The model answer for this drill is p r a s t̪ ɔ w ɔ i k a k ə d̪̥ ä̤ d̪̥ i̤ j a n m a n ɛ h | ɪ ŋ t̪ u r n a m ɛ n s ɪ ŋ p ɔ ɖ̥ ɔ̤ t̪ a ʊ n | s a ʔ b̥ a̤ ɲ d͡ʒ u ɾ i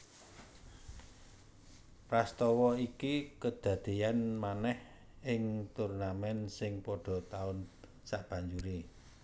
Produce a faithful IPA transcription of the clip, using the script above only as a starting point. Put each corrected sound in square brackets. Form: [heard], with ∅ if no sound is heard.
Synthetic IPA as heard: p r a s t̪ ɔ w ɔ i k [i] k ə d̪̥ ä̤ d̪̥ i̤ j a n m a n ɛ h | ɪ ŋ t̪ u r n a m ɛ n s ɪ ŋ p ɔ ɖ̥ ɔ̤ t̪ a ʊ n | s a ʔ b̥ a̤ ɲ d͡ʒ u ɾ i